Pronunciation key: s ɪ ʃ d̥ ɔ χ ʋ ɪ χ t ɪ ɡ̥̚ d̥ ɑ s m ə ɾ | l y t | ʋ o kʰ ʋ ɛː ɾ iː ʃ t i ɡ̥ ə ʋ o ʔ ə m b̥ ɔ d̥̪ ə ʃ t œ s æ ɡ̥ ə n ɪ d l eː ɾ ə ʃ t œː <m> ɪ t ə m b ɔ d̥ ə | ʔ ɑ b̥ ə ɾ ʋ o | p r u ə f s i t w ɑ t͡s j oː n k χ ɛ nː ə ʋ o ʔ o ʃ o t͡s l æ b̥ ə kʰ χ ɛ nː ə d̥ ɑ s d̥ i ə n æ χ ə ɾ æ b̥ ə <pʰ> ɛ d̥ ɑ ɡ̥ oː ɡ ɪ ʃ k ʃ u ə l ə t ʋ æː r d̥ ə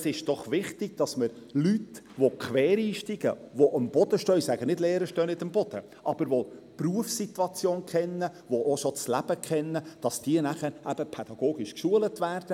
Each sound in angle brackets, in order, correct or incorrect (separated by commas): incorrect, correct